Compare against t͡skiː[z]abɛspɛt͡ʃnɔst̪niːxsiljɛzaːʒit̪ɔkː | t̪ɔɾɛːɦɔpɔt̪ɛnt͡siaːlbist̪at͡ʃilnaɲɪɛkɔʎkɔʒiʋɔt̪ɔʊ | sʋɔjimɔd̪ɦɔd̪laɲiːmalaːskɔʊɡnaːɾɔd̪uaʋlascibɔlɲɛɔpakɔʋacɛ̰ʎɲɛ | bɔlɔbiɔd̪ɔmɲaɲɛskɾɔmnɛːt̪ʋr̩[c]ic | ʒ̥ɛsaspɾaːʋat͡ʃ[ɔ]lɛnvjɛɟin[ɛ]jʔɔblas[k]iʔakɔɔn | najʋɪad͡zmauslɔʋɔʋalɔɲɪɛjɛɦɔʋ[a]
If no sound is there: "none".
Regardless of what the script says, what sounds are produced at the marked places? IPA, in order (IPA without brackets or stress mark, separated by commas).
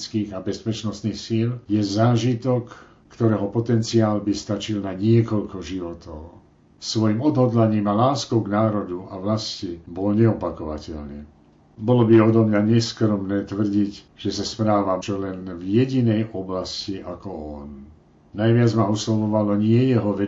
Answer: ɣ, ɟ, ɔ, ɛ, c, ɛ